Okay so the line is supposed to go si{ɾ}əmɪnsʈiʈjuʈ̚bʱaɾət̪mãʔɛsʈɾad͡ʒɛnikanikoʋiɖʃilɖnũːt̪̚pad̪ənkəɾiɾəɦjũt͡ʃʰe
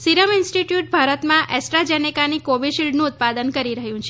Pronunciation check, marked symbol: correct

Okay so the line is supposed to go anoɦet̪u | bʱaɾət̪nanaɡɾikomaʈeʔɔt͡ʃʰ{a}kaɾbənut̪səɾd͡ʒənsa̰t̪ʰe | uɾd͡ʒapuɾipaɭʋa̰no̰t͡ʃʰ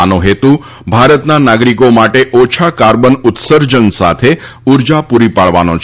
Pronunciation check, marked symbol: correct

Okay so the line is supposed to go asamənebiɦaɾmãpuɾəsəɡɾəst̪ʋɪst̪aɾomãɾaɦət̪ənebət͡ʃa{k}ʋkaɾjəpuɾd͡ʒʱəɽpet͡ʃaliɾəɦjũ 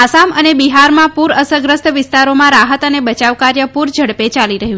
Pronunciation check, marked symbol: incorrect: none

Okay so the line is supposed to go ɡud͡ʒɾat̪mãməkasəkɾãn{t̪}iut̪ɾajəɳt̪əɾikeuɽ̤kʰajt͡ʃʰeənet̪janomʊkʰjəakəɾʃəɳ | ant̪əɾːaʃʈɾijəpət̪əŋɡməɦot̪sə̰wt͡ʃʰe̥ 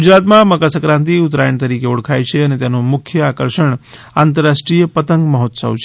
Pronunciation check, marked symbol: correct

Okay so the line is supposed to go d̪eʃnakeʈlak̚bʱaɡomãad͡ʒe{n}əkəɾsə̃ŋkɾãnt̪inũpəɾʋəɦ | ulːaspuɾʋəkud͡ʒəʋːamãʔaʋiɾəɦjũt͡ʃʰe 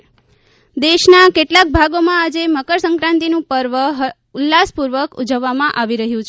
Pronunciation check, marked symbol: incorrect: m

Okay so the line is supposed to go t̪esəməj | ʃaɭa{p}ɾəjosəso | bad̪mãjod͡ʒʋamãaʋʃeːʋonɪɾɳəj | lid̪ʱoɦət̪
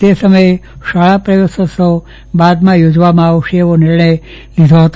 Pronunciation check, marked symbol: correct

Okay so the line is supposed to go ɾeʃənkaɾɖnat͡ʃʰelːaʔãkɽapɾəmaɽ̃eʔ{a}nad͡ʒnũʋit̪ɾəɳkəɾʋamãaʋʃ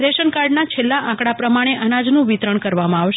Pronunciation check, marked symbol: incorrect: ə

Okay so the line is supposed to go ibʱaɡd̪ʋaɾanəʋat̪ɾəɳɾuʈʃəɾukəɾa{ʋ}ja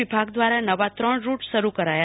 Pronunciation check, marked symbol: incorrect: none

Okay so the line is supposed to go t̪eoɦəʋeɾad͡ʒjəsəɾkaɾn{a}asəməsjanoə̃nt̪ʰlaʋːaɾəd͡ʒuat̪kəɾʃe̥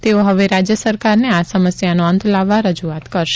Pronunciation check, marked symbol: incorrect: e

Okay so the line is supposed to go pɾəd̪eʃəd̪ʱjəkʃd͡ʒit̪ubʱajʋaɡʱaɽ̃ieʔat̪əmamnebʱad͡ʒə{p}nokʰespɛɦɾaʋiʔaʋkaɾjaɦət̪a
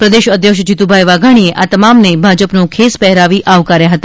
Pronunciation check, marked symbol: correct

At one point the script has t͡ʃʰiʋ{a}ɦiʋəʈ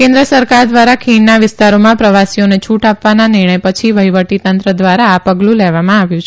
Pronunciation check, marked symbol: incorrect: ə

